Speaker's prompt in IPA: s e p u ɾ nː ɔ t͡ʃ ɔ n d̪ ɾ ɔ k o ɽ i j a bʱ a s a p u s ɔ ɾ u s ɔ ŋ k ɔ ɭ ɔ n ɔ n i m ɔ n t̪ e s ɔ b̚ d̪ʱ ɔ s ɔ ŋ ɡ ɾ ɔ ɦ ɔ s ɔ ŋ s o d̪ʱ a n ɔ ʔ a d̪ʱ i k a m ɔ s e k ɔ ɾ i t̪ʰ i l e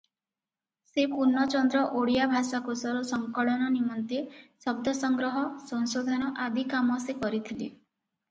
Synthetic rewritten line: s e p u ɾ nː ɔ t͡ʃ ɔ n d̪ ɾ ɔ ʔ o ɽ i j a bʱ a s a k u s ɔ ɾ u s ɔ ŋ k ɔ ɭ ɔ n ɔ n i m ɔ n t̪ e s ɔ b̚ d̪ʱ ɔ s ɔ ŋ ɡ ɾ ɔ ɦ ɔ s ɔ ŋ s o d̪ʱ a n ɔ ʔ a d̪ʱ i k a m ɔ s e k ɔ ɾ i t̪ʰ i l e

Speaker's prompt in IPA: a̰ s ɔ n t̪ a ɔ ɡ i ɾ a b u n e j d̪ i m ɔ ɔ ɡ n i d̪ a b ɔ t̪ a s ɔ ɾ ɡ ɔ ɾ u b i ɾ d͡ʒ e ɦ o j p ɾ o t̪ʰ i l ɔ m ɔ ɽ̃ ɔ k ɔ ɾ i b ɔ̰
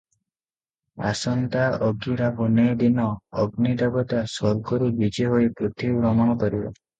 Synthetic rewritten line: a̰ s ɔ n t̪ a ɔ ɡ i ɾ a b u n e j d̪ i n ɔ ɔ ɡ n i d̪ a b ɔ t̪ a s ɔ ɾ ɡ ɔ ɾ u b i d͡ʒ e ɦ o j p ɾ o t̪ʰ i ɾ ɔ m ɔ ɽ̃ ɔ k ɔ ɾ i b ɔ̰

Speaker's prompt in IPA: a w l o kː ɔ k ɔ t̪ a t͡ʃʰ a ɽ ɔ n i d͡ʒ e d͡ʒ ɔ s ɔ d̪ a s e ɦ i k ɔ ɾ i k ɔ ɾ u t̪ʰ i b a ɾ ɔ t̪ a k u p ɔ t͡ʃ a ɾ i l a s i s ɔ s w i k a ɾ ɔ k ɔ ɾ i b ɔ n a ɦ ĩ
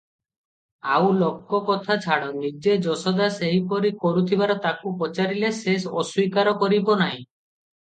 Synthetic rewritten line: a w l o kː ɔ k ɔ t̪ʰ a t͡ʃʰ a ɽ ɔ n i d͡ʒ e d͡ʒ ɔ s ɔ d̪ a s e ɦ i p ɔ ɾ i k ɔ ɾ u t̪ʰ i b a ɾ ɔ t̪ a k u p ɔ t͡ʃ a ɾ i l e s e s ɔ s w i k a ɾ ɔ k ɔ ɾ i b ɔ n a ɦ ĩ

